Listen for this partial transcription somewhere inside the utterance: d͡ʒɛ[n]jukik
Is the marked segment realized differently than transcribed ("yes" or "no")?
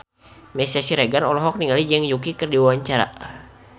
yes